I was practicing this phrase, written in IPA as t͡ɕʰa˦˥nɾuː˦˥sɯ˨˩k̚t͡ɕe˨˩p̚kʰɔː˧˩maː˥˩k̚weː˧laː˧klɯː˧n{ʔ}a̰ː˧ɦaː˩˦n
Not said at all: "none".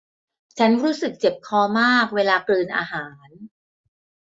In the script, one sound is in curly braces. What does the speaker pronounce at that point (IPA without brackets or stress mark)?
ʔ